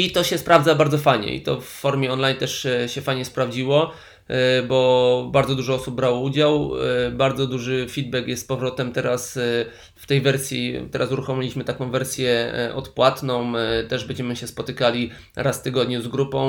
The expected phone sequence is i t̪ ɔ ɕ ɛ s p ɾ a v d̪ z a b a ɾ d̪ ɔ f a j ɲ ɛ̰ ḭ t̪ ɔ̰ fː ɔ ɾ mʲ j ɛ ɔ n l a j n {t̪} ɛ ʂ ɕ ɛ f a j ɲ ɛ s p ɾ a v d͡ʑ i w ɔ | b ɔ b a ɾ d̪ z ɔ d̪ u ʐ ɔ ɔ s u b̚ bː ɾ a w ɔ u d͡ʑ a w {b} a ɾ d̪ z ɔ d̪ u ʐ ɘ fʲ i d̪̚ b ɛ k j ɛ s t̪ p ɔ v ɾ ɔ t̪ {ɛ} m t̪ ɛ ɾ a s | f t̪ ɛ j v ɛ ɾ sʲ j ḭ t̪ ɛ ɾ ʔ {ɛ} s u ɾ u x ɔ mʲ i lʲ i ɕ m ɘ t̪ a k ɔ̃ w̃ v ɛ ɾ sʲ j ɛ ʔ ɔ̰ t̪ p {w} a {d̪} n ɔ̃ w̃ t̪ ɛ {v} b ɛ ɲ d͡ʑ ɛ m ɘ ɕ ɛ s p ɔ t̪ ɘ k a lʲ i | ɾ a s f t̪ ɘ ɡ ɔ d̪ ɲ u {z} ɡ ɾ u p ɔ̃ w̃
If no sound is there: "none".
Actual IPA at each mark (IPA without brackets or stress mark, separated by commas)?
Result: t̪, b, ɛ, a, w, t̪, ʐ, z